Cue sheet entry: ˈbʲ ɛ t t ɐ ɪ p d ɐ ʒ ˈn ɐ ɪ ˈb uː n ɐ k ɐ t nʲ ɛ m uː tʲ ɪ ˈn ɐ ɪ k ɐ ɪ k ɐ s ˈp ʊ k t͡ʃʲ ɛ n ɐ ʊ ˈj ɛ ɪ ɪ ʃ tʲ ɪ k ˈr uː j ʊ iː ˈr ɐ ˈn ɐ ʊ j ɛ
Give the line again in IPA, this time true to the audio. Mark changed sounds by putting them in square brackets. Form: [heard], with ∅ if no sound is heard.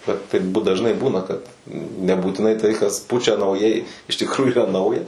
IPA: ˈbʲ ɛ t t ɐ ɪ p d ɐ ʒ ˈn ɐ ɪ ˈb uː n ɐ k ɐ t nʲ ɛ [b] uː tʲ ɪ ˈn ɐ ɪ [t] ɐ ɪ k ɐ s ˈp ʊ [∅] t͡ʃʲ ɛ n ɐ ʊ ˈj ɛ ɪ ɪ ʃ tʲ ɪ k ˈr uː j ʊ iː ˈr ɐ ˈn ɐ ʊ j ɛ